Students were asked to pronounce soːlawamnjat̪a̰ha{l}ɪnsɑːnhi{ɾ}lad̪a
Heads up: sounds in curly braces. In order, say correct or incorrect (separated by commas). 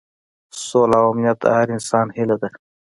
incorrect, incorrect